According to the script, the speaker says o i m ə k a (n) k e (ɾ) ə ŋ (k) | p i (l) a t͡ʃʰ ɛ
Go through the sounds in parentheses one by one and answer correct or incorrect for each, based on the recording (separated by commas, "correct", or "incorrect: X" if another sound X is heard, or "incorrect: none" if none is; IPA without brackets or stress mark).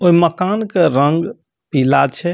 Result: correct, correct, incorrect: ɡ, correct